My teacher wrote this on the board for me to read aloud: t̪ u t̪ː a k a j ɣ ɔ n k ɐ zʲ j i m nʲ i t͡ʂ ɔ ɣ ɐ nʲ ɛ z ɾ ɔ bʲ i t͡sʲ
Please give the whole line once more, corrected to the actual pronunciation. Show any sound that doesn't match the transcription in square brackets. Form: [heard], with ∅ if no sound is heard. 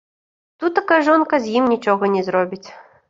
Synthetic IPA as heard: t̪ u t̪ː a k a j [ʐ] ɔ n k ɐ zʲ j i m nʲ i t͡ʂ ɔ ɣ ɐ nʲ ɛ z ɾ ɔ bʲ i t͡sʲ